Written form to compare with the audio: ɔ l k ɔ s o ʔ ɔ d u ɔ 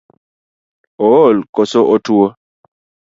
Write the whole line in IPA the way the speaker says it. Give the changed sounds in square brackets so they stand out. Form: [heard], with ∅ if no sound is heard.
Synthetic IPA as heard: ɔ l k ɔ s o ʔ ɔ [t] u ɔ